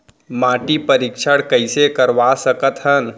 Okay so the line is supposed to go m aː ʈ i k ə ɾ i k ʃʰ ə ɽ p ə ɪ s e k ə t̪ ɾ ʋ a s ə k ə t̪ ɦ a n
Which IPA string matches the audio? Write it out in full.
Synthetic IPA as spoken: m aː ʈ i p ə ɾ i k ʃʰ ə ɽ k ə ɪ s e k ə ɾ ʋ a s ə k ə t̪ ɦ ə n